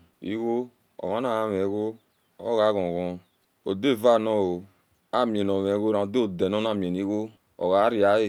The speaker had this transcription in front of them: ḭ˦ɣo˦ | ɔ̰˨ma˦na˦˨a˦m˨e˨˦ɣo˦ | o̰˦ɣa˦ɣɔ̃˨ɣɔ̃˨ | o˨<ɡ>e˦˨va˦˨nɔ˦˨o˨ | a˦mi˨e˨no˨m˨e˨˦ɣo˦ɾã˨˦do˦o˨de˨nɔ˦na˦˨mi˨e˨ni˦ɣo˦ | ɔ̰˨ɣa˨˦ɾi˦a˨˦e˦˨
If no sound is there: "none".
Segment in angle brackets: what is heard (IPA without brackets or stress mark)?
d